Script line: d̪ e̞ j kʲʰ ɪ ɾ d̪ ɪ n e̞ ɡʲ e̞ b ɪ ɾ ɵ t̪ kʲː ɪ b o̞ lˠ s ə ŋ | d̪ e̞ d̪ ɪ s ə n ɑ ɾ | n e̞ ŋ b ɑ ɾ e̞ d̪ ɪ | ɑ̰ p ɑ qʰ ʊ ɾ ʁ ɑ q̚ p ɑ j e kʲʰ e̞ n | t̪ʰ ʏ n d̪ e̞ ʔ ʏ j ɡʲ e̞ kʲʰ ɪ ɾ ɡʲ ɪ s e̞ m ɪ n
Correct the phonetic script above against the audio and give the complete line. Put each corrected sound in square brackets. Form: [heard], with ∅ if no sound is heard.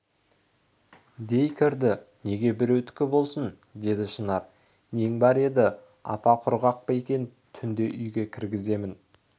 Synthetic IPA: d̪ e̞ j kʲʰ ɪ ɾ d̪ ɪ n e̞ ɡʲ e̞ b ɪ ɾ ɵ t̪ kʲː ɪ b o̞ lˠ s ə [n] | d̪ e̞ d̪ ɪ [ʃ] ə n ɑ ɾ | n e̞ ŋ b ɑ ɾ e̞ d̪ ɪ | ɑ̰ p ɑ qʰ ʊ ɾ ʁ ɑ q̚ p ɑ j e [kʲ] e̞ n | t̪ʰ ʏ n d̪ e̞ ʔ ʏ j ɡʲ e̞ kʲʰ ɪ ɾ ɡʲ ɪ [z] e̞ m ɪ n